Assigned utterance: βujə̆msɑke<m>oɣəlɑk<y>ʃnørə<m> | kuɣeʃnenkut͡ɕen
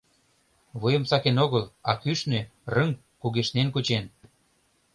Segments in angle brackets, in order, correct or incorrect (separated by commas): incorrect, correct, incorrect